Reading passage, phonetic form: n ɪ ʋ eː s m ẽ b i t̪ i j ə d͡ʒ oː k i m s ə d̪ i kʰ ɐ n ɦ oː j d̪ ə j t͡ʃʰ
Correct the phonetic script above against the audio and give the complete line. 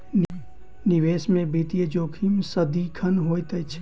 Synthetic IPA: n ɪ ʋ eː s m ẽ b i t̪ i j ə d͡ʒ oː kʰ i m s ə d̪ i kʰ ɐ n ɦ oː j t̪ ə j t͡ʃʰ